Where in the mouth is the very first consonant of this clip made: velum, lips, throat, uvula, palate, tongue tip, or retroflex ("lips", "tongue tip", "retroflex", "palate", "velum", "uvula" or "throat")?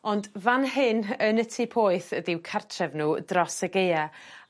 tongue tip